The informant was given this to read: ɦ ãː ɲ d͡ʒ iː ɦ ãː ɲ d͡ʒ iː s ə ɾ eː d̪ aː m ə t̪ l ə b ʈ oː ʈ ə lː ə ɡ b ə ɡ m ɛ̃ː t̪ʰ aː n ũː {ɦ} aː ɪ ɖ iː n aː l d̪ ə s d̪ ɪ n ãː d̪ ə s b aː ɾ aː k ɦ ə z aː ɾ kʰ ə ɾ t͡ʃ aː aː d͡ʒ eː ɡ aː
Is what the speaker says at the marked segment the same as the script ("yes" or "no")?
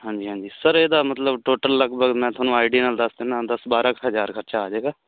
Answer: no